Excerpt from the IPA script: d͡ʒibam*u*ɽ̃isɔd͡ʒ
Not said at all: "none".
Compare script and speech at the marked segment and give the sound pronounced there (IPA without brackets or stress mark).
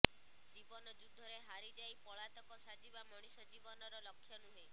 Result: ɔ